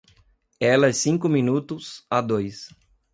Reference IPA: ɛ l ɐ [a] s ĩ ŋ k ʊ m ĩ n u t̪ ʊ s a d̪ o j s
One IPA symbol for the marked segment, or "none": ɛ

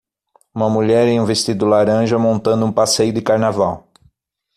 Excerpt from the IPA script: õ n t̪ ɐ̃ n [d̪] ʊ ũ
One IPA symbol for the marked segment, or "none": d̪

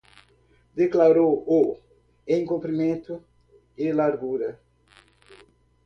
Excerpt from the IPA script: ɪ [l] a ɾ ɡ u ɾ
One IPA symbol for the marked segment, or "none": l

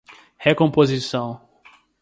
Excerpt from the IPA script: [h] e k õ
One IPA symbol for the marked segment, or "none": h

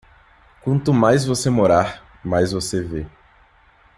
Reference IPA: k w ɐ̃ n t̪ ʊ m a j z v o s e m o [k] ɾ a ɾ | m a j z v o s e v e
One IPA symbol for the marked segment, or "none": none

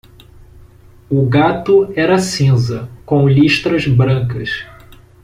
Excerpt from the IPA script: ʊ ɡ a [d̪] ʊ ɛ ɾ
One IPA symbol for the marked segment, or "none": t̪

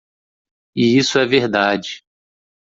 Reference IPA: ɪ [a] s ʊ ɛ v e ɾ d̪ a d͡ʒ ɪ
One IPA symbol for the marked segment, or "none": i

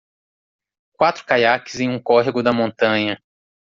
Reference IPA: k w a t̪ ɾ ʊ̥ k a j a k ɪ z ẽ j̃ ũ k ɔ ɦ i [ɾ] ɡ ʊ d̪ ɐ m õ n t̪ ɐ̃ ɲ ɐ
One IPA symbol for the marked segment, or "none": none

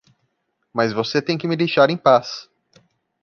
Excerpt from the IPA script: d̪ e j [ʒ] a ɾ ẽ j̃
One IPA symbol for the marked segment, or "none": ʃ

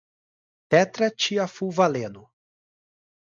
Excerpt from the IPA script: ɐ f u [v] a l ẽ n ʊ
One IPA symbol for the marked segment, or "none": v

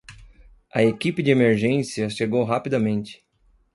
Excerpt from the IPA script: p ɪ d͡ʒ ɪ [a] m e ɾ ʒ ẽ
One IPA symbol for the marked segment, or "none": e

